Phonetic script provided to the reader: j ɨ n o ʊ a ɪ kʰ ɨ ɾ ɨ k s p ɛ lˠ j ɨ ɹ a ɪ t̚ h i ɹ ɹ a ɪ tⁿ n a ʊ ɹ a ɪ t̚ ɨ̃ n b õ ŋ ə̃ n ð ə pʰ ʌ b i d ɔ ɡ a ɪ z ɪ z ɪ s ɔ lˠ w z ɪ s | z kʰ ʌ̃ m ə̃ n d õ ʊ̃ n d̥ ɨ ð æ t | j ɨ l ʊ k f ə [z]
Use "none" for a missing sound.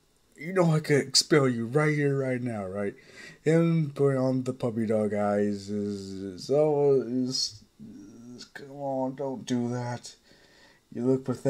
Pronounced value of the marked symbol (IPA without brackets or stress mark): ð